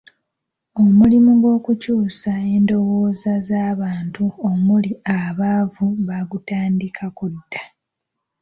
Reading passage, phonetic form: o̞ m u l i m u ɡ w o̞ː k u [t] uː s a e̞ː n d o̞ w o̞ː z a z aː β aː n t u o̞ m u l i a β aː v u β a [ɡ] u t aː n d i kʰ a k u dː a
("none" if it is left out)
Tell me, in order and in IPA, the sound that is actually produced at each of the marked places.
c, ɡ

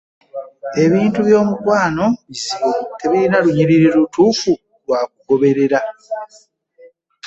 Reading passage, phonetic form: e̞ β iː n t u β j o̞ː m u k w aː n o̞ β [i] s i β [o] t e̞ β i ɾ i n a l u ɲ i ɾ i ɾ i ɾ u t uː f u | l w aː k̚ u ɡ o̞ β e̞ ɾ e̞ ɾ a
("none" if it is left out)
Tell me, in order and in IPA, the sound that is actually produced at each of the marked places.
i, o

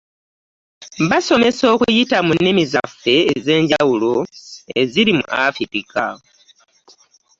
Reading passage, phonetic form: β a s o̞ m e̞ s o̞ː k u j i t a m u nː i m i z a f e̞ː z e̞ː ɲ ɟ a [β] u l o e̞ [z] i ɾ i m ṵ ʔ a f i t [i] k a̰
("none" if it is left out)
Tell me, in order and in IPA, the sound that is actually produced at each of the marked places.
w, z, i

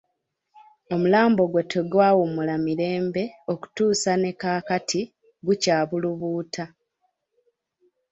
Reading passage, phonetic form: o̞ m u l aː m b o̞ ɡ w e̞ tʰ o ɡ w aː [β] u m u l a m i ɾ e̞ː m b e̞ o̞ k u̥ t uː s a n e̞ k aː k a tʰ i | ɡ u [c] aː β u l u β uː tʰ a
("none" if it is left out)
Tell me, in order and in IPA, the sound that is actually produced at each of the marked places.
w, c

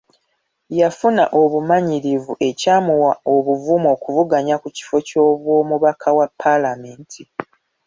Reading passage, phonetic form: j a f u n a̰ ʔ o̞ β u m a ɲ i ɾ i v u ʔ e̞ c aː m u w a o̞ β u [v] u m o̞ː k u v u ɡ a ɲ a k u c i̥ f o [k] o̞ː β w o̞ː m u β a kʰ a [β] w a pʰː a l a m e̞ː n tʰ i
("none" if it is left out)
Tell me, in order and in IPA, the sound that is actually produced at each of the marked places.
v, c, none

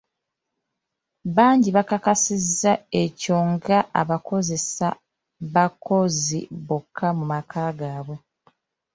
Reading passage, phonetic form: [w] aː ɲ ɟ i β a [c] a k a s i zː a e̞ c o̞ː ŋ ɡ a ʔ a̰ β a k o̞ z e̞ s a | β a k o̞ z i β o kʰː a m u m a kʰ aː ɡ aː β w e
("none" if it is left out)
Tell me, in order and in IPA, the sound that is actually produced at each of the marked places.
β, k

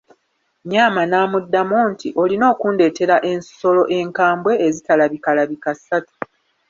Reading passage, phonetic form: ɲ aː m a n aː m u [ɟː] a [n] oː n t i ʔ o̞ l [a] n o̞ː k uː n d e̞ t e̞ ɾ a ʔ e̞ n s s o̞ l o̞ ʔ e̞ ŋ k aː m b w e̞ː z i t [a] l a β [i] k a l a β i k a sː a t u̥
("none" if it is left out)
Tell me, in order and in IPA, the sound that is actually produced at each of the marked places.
dː, m, i, a, i

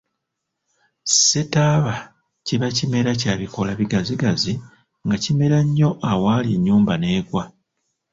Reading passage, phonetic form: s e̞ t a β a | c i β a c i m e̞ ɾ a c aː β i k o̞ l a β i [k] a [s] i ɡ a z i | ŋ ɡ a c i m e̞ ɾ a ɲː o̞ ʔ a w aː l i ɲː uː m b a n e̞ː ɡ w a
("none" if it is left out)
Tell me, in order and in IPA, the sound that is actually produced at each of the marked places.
ɡ, z

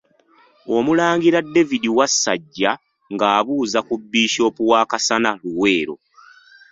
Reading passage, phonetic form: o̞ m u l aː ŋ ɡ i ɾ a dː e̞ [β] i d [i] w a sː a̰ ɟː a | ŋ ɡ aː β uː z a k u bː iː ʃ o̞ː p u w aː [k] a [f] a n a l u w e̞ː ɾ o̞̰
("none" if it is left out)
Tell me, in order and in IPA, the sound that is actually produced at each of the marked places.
v, i, k, s

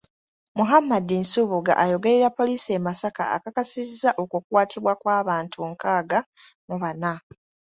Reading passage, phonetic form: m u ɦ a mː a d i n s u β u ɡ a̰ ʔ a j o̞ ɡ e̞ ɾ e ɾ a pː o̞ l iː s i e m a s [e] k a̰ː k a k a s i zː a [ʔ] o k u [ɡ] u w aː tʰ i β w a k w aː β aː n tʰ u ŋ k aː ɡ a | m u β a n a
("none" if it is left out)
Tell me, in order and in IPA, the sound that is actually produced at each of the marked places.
a, ʔ, k

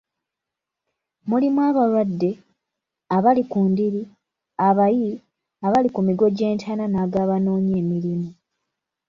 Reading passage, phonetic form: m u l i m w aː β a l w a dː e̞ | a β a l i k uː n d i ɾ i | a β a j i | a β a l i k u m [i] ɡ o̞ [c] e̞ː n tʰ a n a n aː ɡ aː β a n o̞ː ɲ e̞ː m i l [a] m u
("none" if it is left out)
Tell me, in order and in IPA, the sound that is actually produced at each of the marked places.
i, ɟ, i

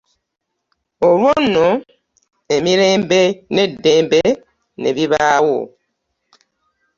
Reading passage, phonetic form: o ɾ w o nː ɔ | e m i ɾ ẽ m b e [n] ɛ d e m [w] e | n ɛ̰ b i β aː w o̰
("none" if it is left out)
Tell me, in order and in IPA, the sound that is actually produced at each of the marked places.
n, b

